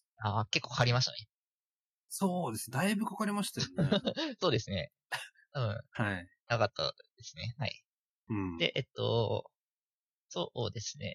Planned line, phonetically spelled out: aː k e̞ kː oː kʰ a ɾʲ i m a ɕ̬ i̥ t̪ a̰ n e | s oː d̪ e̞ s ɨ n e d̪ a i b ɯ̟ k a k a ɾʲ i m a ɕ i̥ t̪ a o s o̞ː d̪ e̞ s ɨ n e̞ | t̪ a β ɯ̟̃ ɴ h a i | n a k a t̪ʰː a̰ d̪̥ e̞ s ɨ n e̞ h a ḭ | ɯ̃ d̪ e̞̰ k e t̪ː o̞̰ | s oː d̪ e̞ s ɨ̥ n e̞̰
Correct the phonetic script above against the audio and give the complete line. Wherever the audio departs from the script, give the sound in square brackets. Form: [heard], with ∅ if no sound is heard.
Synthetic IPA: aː k e̞ kː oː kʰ a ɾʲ i m a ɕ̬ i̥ t̪ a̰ n e | s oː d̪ e̞ s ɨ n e d̪ a i b ɯ̟ k a k a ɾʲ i m a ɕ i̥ t̪ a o s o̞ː d̪ e̞ s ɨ n e̞ | t̪ a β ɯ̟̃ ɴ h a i | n a k a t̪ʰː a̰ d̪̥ e̞ s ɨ n e̞ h a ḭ | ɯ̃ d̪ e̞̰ [ʔ] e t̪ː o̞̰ | s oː d̪ e̞ s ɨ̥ n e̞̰